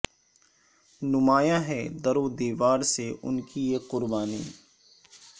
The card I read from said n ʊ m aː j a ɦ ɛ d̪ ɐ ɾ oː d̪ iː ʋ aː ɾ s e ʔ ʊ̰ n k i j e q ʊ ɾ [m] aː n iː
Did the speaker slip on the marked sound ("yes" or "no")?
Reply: yes